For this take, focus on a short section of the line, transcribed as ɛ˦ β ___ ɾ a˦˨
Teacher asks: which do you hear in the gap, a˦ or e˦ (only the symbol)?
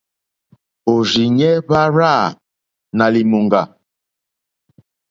a˦